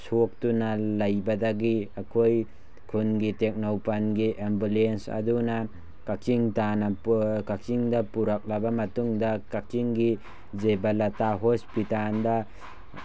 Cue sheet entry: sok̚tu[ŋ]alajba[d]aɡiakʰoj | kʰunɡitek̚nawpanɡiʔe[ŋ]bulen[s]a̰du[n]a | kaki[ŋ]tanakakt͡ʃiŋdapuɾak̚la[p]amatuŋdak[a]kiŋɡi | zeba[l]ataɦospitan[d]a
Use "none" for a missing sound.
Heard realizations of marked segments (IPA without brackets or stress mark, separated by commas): n, d, m, s, n, ŋ, b, a, l, d